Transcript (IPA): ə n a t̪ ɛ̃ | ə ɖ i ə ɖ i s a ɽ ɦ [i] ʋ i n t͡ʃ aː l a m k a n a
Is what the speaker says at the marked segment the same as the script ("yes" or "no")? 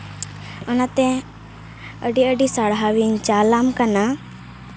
no